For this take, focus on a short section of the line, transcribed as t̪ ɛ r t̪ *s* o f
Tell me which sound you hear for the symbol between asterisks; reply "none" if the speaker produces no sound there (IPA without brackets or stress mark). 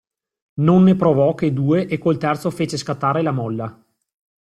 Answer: s